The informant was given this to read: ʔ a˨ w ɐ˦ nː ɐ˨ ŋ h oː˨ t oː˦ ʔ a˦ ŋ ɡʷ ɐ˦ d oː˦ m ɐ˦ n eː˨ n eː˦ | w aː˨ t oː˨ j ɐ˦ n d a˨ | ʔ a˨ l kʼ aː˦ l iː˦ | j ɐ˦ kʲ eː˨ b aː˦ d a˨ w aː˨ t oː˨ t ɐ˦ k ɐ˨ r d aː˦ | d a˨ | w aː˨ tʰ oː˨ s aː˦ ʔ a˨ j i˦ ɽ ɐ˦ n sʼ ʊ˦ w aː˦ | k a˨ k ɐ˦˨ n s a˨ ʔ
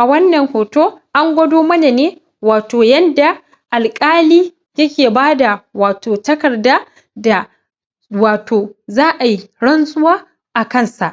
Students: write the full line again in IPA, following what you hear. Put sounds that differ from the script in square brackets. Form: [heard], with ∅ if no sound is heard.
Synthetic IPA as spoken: ʔ a˨ w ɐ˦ nː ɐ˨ ŋ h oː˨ t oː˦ ʔ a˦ ŋ ɡʷ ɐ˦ d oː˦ m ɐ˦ n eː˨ n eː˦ | w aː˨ t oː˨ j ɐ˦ n d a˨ | ʔ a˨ l kʼ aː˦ l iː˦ | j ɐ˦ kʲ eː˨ b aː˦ d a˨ w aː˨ t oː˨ t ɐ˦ k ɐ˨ r d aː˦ | d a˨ | w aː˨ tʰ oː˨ [z] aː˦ ʔ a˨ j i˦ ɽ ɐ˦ n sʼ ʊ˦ w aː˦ | [ʔ] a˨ k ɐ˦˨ n s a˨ ʔ